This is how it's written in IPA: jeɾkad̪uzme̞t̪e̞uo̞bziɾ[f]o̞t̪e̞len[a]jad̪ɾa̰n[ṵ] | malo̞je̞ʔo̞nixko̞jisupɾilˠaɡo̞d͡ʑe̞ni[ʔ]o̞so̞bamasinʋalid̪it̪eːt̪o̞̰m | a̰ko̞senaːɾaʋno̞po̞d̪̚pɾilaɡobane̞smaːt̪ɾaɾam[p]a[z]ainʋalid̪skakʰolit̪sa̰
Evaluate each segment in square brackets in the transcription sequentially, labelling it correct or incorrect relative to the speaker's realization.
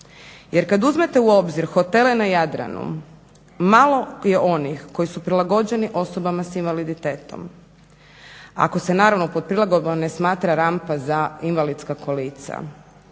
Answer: incorrect: x, correct, correct, correct, correct, correct

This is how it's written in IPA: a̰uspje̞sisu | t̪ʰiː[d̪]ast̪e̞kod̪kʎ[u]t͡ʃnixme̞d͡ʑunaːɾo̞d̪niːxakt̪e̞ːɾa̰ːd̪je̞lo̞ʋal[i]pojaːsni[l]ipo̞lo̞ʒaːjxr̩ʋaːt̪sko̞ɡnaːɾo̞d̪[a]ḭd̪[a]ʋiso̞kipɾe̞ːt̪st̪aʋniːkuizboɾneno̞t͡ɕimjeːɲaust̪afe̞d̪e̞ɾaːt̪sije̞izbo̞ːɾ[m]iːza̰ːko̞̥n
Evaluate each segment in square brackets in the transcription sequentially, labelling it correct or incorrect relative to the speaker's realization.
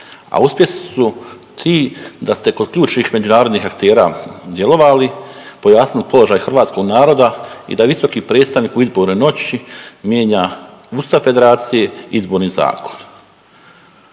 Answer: correct, incorrect: uː, correct, correct, correct, correct, incorrect: n

